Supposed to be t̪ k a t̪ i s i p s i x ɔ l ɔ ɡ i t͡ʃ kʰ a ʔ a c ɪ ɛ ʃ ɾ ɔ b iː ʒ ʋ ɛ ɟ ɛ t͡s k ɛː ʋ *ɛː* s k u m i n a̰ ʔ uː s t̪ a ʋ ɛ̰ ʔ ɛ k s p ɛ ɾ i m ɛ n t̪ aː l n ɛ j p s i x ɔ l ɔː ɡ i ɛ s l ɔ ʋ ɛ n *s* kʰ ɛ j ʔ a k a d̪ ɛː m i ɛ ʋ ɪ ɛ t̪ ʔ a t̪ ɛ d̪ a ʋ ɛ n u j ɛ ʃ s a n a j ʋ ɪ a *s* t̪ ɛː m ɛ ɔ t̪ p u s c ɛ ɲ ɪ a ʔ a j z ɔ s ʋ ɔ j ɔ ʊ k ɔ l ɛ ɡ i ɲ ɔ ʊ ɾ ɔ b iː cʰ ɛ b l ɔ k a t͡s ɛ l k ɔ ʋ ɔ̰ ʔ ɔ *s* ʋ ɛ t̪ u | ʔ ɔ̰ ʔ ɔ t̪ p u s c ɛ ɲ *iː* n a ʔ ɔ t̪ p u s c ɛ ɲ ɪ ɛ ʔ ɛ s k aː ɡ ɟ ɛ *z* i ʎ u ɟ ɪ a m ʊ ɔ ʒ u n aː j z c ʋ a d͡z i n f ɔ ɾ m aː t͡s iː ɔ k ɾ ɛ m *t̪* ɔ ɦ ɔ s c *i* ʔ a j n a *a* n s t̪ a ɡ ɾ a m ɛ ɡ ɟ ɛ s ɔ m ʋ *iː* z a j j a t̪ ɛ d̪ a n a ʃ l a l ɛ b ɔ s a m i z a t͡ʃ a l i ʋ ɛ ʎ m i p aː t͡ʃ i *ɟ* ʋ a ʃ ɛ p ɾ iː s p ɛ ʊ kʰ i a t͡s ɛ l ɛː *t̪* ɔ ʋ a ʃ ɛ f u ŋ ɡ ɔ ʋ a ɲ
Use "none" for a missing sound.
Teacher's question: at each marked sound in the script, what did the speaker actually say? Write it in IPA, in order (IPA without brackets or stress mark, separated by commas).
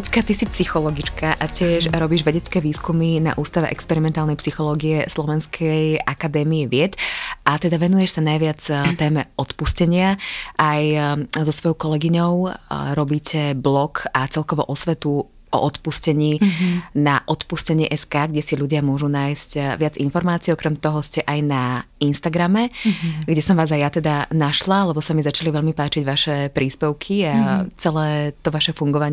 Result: iː, s, t͡s, s, iː, s, t̪, ɛ, i, aː, ɟ, t̪